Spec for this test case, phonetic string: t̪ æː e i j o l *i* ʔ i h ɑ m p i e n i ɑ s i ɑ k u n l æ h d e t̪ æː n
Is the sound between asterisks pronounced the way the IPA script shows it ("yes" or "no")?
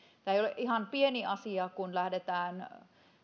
no